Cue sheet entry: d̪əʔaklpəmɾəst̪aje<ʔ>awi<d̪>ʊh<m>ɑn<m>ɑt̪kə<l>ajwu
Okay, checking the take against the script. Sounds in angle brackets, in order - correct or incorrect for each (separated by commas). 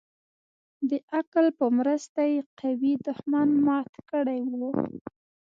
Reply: incorrect, correct, correct, correct, incorrect